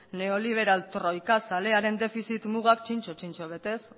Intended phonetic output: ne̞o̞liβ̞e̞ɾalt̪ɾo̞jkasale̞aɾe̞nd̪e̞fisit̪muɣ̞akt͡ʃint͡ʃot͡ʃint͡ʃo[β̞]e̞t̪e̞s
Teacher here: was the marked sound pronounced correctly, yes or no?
yes